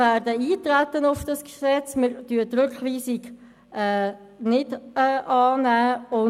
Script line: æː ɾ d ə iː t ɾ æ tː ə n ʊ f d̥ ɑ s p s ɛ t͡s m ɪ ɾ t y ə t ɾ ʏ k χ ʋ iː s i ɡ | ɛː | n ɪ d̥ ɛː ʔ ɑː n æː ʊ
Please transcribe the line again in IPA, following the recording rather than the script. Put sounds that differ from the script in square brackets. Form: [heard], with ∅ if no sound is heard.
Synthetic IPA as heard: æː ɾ d ə iː t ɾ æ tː ə n ʊ f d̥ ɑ s [k] s ɛ t͡s m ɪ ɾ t y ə t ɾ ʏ k χ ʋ iː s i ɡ | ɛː | n ɪ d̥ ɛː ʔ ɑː n æː ʊ